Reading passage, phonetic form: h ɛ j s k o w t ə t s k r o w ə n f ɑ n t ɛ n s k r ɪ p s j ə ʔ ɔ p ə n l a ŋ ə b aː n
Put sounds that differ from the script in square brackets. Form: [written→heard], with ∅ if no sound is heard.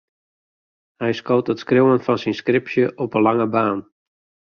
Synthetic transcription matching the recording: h ɛ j s k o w t ə t s k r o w ə n f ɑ n [t→s] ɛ n s k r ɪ p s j ə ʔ ɔ p ə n l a ŋ ə b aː n